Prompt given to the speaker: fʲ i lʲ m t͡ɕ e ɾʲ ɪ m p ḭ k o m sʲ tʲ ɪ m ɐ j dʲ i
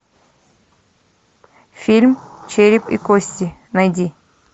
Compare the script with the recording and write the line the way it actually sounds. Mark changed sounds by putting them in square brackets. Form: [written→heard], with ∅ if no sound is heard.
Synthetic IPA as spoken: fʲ i lʲ m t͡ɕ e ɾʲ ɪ [m→∅] p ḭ k o [m→∅] sʲ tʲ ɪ [m→n] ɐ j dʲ i